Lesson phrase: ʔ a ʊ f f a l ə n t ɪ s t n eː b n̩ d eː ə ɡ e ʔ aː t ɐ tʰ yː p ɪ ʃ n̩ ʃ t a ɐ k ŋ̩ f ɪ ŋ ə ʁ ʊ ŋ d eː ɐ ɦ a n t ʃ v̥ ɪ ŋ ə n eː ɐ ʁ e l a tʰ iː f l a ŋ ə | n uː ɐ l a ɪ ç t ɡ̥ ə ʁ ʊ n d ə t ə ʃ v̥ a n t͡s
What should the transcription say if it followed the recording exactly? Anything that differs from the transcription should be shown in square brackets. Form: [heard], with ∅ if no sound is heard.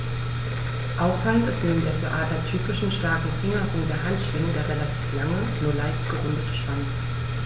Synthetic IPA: ʔ a ʊ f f a l ə n t ɪ s t n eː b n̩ d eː [ɐ] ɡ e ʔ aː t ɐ tʰ yː p ɪ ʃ n̩ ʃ t a ɐ k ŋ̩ f ɪ ŋ [ɐ] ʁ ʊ ŋ d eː ɐ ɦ a n t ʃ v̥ ɪ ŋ ə [d] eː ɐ ʁ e l a tʰ iː f l a ŋ ə | n uː ɐ l a ɪ ç t ɡ̥ ə ʁ ʊ n d ə t ə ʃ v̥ a n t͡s